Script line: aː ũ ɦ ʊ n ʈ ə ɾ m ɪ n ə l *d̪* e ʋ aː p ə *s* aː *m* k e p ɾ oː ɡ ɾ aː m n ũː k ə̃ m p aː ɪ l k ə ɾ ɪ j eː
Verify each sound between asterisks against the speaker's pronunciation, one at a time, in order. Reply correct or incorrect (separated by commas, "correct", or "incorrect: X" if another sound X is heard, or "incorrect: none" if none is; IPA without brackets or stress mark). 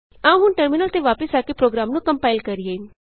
incorrect: t̪, correct, incorrect: none